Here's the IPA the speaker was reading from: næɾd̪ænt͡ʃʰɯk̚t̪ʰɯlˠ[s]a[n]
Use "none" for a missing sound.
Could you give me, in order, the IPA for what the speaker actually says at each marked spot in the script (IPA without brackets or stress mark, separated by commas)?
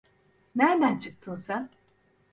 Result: s, n